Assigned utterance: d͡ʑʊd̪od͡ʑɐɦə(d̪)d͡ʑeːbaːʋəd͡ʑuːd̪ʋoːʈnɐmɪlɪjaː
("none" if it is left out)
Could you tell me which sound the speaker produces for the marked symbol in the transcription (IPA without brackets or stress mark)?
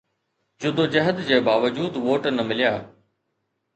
d̪